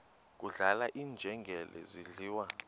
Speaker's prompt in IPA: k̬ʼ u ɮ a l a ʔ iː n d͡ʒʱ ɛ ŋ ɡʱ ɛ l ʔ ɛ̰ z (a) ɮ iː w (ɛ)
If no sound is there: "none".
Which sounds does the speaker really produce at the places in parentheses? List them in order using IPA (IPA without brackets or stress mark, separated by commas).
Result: i, a